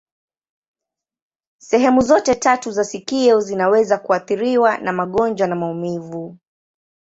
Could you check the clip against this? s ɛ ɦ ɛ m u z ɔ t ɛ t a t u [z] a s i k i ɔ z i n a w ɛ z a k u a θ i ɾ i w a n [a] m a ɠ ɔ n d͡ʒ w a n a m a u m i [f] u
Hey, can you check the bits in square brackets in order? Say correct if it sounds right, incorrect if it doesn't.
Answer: correct, correct, incorrect: v

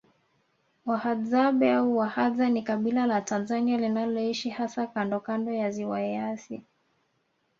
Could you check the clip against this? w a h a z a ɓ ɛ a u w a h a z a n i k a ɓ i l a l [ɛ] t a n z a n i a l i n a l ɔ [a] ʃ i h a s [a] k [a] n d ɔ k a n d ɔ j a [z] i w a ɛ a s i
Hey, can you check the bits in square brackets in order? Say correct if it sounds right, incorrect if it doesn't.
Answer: incorrect: a, incorrect: i, correct, correct, correct

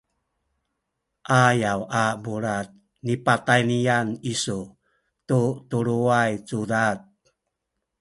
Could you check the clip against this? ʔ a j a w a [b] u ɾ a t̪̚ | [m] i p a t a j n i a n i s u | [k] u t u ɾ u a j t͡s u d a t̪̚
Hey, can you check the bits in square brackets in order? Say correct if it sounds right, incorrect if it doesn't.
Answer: correct, incorrect: n, incorrect: t

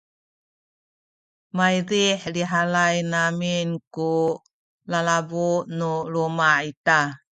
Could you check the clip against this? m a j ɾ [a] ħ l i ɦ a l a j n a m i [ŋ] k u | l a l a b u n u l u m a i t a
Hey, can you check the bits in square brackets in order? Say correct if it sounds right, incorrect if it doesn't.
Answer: incorrect: i, incorrect: n

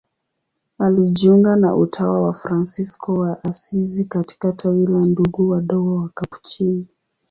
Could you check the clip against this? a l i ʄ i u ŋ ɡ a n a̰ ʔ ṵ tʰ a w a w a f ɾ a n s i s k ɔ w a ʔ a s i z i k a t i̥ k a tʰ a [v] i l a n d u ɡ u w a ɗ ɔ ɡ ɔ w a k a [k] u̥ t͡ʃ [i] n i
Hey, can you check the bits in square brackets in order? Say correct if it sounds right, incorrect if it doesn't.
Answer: incorrect: w, incorrect: p, correct

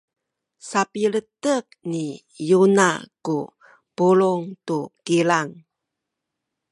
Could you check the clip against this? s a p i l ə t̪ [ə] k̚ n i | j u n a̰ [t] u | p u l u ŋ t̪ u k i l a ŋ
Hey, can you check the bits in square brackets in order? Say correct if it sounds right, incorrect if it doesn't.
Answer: correct, incorrect: k

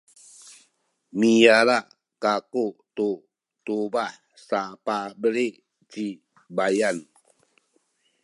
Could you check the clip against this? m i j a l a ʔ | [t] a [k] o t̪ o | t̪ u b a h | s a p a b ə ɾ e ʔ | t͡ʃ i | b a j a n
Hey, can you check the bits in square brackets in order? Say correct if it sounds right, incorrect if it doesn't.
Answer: incorrect: k, correct

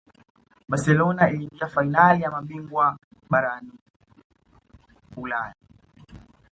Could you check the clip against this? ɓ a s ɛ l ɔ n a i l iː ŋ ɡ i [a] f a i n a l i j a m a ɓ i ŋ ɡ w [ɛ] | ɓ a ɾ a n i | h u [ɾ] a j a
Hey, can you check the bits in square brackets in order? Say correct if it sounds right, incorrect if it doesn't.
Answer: correct, incorrect: a, incorrect: l

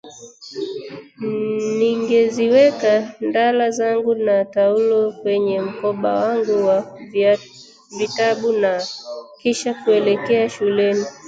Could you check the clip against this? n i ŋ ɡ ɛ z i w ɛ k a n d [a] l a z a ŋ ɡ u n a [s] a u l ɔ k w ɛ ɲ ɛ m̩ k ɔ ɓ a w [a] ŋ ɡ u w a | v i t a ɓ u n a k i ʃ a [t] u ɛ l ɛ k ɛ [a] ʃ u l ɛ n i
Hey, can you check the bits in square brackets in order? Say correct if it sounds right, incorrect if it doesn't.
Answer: correct, incorrect: t, correct, incorrect: k, correct

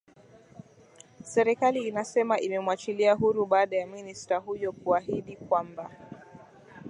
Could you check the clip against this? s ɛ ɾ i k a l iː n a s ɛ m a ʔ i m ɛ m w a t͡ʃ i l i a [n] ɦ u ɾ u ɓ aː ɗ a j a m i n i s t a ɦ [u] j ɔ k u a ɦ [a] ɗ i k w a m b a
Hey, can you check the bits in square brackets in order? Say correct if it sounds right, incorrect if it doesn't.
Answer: incorrect: none, correct, incorrect: i

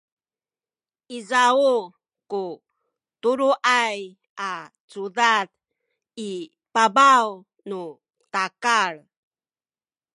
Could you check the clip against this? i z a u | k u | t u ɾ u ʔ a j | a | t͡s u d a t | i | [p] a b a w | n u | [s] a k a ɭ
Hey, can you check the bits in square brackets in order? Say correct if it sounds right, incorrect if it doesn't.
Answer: correct, incorrect: t

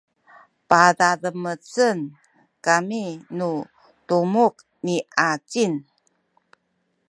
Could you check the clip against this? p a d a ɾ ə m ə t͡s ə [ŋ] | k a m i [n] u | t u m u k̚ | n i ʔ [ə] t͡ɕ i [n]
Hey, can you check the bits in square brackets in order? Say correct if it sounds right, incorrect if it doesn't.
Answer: incorrect: n, correct, incorrect: a, correct

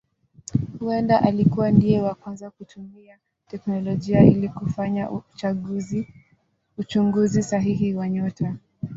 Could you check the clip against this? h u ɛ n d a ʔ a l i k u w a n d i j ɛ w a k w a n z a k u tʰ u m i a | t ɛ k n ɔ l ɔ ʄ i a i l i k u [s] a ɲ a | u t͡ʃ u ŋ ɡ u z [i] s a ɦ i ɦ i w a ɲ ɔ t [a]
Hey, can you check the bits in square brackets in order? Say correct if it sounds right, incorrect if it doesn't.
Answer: incorrect: f, correct, correct

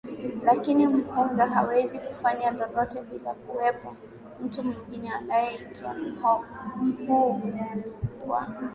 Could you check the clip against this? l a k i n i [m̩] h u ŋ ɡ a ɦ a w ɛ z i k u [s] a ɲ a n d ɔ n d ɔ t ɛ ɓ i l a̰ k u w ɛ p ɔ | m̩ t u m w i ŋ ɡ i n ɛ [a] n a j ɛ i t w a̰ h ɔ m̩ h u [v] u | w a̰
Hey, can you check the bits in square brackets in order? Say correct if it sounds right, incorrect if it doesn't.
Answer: correct, incorrect: f, correct, correct

